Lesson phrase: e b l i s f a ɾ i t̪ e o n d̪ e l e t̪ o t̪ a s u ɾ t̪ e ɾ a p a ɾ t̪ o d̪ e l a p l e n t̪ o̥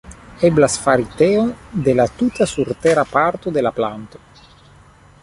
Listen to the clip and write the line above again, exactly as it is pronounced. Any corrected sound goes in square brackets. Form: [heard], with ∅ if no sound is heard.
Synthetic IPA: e b l [a] s f a ɾ i t̪ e o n d̪ e l [a] t̪ [u] t̪ a s u ɾ t̪ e ɾ a p a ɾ t̪ o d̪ e l a p l [a] n t̪ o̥